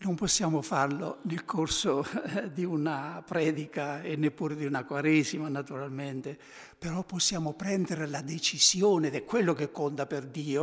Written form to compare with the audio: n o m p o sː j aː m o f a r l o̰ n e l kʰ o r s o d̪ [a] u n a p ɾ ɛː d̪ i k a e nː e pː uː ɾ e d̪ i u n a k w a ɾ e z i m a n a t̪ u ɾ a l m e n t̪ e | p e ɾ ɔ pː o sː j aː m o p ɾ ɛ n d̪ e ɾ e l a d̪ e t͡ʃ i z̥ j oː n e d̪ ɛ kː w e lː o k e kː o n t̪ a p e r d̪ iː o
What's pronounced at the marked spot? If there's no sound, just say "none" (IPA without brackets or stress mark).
i